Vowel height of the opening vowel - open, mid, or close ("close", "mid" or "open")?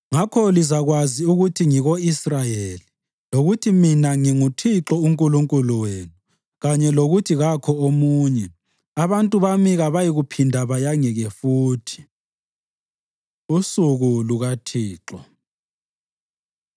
open